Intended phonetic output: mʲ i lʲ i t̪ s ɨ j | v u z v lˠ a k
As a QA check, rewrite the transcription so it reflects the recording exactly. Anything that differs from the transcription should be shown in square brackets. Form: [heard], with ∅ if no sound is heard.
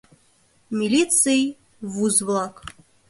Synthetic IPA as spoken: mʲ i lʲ i t̪ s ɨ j | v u z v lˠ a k